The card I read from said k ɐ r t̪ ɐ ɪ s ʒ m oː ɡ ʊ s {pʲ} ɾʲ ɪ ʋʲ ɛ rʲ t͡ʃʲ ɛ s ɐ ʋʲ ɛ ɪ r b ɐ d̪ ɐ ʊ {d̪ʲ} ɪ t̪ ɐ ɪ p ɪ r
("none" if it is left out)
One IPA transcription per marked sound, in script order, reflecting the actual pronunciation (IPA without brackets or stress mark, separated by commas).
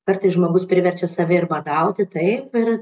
pʲ, t̪ʲ